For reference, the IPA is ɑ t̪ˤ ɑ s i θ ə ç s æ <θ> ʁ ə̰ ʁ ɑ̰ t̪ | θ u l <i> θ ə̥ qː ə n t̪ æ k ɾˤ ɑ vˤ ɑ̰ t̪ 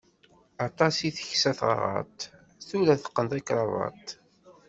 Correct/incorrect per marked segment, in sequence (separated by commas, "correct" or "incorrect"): correct, incorrect